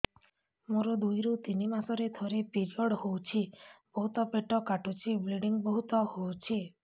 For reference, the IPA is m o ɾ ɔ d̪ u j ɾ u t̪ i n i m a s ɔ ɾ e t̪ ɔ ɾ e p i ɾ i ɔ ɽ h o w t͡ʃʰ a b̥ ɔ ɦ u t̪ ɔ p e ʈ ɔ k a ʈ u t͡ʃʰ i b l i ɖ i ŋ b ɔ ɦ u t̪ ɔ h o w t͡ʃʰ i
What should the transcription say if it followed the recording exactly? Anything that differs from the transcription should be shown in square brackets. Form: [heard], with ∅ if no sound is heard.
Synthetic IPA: m o ɾ ɔ d̪ u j ɾ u t̪ i n i m a s ɔ ɾ e [t̪ʰ] ɔ ɾ e p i ɾ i ɔ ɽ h o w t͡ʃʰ [i] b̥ ɔ ɦ u t̪ ɔ p e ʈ ɔ k a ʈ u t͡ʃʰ i b l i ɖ i ŋ b ɔ ɦ u t̪ ɔ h o w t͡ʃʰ i